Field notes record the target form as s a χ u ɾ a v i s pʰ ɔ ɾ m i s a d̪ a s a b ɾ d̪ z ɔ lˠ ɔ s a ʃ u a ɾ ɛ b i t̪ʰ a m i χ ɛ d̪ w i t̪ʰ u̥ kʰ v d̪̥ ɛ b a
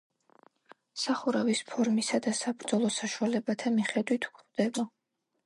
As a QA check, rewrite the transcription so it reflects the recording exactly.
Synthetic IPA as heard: s a χ u ɾ a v i s pʰ ɔ ɾ m i s a d̪ a s a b ɾ d̪ z ɔ lˠ ɔ s a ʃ u a l ɛ b a t̪ʰ a m i χ ɛ d̪ w i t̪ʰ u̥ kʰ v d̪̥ ɛ b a